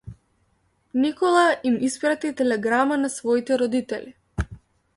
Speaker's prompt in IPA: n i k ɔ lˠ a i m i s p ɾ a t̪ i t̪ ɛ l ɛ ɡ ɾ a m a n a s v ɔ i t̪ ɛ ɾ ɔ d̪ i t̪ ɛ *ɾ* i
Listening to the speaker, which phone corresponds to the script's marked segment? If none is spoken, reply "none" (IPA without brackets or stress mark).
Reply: l